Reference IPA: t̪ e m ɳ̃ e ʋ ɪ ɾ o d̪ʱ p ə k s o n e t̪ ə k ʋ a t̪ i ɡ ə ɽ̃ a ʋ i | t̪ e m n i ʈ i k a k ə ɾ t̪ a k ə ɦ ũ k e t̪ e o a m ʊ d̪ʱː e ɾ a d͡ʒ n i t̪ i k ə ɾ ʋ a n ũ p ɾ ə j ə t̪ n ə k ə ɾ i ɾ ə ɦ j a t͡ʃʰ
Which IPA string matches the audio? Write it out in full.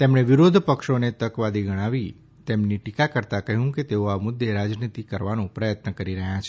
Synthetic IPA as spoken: t̪ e m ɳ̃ e ʋ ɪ ɾ o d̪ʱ p ə k ʃ o n e t̪ ə k ʋ a d̪ i ɡ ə ɽ̃ a ʋ i | t̪ e m n i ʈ i k a k ə ɾ t̪ a k ə ɦ ũ k e t̪ e o a m ʊ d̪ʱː e ɾ a d͡ʒ n i t̪ i k ə ɾ ʋ a n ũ p ɾ ə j ə t̪ n ə k ə ɾ i ɾ ə ɦ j a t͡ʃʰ